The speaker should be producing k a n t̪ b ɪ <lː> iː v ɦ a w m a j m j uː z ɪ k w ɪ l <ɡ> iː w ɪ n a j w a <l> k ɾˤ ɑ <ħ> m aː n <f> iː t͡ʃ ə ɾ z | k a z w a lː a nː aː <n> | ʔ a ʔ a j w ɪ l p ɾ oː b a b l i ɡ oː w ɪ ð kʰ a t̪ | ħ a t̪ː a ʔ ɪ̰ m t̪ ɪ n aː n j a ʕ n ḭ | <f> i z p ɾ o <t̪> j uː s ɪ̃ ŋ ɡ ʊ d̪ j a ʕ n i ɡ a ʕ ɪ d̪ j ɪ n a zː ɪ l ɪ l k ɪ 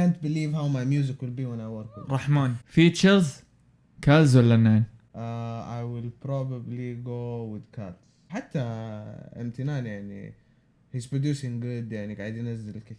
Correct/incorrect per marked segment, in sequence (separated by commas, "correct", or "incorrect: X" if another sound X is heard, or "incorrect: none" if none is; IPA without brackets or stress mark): incorrect: l, incorrect: b, incorrect: ɾ, correct, correct, correct, incorrect: h, incorrect: d̪